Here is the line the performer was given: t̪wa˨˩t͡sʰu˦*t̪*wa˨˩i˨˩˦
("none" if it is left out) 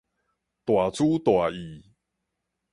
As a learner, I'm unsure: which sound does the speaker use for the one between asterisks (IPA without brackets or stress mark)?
t̪